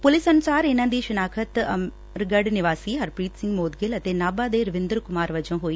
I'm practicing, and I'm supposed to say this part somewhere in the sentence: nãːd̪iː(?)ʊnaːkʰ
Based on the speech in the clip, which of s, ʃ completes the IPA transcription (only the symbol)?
ʃ